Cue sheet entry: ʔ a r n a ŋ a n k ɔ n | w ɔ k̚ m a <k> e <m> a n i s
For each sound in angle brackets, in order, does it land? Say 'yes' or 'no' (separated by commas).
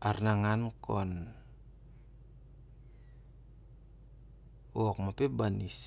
no, no